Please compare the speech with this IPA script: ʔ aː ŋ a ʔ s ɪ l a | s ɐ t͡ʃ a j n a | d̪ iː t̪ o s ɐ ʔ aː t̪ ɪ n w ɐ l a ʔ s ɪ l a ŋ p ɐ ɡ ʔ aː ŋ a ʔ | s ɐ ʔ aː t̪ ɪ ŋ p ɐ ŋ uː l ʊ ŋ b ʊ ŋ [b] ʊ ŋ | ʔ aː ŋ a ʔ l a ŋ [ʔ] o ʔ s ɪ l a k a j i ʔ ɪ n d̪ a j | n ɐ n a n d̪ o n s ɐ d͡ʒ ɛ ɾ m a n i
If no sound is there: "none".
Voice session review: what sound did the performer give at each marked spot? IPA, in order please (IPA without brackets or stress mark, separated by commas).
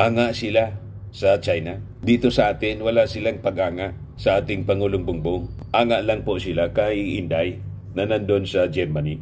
b, p